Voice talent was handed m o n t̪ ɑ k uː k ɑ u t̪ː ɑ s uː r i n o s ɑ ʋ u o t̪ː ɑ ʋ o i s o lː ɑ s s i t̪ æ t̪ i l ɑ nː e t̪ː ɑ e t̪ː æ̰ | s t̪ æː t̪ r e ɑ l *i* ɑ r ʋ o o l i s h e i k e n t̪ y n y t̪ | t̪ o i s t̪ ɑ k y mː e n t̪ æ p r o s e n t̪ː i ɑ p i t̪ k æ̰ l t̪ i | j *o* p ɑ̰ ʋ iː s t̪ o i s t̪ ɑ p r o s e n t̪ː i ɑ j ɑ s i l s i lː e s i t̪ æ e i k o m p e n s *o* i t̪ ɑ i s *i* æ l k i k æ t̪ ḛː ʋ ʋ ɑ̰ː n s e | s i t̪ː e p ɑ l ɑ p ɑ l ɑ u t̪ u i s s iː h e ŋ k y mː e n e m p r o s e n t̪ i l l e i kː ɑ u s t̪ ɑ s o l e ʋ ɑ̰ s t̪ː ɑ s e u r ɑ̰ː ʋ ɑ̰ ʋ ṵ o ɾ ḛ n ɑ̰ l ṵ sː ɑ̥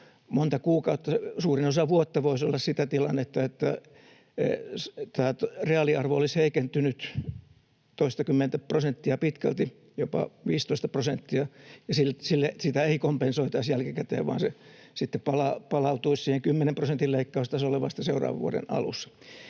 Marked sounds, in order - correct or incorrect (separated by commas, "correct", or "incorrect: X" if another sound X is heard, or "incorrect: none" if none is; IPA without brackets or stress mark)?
correct, correct, correct, incorrect: j